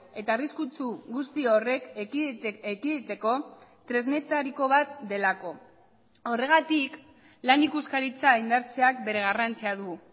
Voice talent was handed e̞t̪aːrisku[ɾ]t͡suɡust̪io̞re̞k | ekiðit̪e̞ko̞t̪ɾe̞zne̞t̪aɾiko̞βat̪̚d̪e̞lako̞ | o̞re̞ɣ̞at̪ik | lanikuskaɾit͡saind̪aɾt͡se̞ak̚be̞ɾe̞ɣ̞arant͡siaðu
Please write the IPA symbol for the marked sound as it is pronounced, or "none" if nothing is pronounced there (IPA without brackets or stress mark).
none